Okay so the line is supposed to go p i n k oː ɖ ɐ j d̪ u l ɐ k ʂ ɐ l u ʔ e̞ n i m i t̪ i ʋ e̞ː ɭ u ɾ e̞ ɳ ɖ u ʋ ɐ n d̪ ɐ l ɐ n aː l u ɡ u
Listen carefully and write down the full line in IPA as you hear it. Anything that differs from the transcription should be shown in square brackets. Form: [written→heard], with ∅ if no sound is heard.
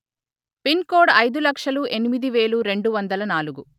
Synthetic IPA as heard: p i n k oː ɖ ɐ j d̪ u l ɐ k ʂ ɐ l u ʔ e̞ n i m i [t̪→d̪] i ʋ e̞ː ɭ u ɾ e̞ ɳ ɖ u ʋ ɐ n d̪ ɐ l ɐ n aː l u ɡ u